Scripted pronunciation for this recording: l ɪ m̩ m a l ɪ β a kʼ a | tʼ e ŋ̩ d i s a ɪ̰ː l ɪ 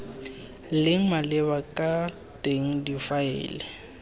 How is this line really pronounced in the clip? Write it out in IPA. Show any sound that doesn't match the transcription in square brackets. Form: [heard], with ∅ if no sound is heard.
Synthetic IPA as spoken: l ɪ [ŋ̩] m a l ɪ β a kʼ a | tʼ e ŋ̩ d i [f] a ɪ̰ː l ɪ